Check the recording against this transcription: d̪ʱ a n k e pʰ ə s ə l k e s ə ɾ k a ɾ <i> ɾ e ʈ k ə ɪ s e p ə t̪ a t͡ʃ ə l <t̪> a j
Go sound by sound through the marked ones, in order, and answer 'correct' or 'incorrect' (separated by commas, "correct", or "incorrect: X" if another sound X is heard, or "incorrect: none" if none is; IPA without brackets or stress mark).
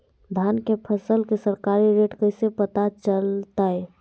correct, correct